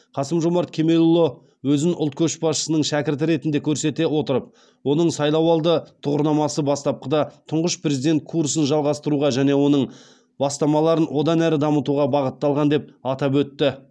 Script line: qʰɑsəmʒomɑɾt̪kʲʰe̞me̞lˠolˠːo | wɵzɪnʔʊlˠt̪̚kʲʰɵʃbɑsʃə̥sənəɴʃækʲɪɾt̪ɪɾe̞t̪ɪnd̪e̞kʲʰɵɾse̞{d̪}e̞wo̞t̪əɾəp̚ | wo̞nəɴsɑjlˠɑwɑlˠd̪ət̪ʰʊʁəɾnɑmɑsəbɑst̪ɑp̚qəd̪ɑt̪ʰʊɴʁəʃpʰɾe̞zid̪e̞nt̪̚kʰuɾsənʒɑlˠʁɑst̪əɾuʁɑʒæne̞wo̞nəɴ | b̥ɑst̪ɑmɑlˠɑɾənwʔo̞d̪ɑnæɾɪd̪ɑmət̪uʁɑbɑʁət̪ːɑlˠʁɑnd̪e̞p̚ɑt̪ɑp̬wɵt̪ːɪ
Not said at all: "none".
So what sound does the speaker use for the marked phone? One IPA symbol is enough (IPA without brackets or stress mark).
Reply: t̪